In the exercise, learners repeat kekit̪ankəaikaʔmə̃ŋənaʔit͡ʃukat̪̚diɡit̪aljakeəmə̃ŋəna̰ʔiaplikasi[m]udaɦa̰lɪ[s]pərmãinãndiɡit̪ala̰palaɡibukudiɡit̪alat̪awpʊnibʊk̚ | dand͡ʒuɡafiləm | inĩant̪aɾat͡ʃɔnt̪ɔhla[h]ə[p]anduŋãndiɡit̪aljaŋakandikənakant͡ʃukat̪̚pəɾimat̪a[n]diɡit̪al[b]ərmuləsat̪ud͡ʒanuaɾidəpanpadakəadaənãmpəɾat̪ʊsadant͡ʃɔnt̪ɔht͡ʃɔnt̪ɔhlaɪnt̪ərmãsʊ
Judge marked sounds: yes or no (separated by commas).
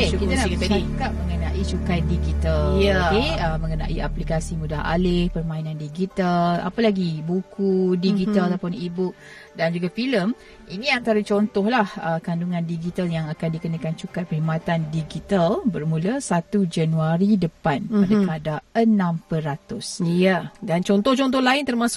yes, no, yes, no, yes, yes